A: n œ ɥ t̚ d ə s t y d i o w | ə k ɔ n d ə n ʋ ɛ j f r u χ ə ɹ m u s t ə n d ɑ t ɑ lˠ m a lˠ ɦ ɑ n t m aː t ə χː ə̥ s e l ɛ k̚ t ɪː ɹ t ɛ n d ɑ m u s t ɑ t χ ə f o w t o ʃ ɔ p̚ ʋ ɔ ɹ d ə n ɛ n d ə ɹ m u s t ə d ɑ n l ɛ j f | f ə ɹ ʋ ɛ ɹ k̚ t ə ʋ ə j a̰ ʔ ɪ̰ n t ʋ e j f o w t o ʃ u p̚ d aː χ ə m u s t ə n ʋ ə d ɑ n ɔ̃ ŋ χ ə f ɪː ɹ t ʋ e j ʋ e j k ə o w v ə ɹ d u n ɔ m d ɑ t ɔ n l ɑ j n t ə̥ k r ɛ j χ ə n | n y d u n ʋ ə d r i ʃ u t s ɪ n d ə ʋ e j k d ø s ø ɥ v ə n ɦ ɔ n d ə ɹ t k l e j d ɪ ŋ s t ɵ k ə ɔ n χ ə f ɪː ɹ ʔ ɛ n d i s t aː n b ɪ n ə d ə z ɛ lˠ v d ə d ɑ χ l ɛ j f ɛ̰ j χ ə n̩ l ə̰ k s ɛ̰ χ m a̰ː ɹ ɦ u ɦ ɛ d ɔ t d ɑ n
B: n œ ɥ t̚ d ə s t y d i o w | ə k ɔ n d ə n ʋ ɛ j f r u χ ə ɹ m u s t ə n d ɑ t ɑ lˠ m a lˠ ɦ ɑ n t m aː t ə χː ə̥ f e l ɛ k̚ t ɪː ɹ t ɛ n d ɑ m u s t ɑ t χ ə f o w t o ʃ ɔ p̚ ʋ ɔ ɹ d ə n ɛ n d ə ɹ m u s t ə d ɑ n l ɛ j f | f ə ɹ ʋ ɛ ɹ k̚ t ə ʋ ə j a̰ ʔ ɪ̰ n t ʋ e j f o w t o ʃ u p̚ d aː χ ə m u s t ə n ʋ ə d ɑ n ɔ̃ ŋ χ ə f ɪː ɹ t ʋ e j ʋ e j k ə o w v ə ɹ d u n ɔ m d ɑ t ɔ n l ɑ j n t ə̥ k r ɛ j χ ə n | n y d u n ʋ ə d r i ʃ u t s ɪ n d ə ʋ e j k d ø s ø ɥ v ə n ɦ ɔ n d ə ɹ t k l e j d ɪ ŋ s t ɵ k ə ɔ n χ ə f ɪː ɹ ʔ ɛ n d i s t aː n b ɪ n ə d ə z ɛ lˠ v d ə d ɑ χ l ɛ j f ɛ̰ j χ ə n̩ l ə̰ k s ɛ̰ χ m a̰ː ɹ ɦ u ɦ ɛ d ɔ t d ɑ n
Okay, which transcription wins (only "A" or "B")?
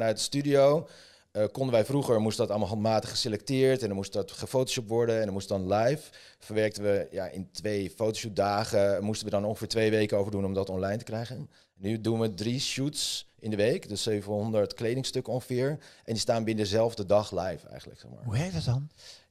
A